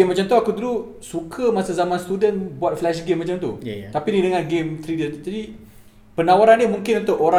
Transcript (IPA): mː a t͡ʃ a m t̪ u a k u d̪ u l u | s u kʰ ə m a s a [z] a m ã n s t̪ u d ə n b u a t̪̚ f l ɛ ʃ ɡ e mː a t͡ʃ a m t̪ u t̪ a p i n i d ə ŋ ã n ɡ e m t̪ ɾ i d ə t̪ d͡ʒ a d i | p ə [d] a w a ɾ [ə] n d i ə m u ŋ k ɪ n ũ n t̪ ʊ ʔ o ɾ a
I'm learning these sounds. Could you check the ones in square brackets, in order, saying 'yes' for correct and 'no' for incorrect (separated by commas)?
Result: yes, no, no